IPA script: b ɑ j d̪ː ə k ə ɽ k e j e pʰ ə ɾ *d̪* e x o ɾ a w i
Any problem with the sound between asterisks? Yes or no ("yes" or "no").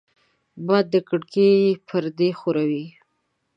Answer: no